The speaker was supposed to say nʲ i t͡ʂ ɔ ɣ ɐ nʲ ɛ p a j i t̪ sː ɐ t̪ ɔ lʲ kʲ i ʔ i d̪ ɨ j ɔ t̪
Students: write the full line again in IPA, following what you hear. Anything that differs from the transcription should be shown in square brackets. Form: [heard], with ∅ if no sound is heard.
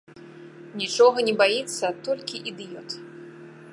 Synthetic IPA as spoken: nʲ i t͡ʂ ɔ ɣ ɐ nʲ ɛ [b] a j i t̪ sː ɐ t̪ ɔ lʲ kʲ i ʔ i d̪ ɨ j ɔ t̪